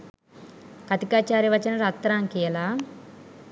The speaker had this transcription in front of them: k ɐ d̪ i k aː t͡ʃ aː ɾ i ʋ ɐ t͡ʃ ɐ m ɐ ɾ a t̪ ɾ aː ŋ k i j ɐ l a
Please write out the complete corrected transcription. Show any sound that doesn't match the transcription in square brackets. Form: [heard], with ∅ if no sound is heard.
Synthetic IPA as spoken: k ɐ [t̪] i k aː t͡ʃ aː ɾ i ʋ ɐ t͡ʃ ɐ [n] ɐ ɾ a t̪ ɾ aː ŋ k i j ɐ l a